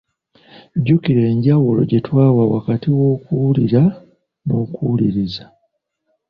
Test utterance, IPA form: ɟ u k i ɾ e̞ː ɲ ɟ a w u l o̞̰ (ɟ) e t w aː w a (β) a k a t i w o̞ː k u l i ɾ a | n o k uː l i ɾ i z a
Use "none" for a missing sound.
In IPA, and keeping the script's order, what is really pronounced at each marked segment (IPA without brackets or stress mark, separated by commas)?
ɟ, w